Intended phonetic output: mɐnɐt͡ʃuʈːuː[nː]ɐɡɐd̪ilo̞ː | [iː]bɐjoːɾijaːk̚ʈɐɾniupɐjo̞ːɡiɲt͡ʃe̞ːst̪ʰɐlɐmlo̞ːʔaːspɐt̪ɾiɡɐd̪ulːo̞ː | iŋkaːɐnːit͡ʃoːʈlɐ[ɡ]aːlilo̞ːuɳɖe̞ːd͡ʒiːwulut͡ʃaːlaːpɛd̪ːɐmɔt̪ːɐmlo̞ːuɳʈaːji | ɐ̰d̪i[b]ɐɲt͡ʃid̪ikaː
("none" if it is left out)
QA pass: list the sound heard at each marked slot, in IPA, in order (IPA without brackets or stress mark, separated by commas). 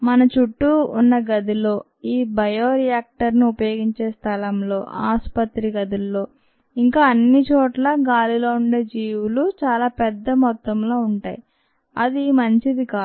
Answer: nː, iː, ɡ, m